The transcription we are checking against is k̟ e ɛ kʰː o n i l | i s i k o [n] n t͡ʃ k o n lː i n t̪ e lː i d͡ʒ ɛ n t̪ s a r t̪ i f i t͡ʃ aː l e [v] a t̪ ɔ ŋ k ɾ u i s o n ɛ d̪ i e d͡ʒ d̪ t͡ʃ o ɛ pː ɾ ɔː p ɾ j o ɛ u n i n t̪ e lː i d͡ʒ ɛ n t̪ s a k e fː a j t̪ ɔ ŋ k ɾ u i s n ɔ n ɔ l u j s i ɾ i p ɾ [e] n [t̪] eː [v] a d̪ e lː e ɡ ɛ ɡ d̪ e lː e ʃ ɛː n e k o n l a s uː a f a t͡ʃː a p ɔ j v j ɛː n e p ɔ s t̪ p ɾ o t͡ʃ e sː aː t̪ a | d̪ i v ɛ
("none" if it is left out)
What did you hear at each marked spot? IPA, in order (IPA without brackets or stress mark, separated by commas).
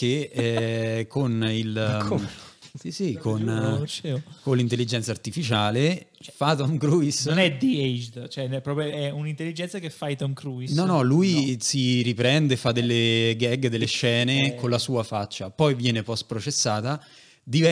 n, f, ɛ, d̪, f